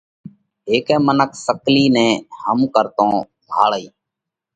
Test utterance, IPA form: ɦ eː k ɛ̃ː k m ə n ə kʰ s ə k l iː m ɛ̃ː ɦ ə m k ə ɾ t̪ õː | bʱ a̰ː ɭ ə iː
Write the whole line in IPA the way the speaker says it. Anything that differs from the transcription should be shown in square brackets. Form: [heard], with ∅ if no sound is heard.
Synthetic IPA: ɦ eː k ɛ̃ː [∅] m ə n ə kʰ s ə k l iː [n] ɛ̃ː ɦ ə m k ə ɾ t̪ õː | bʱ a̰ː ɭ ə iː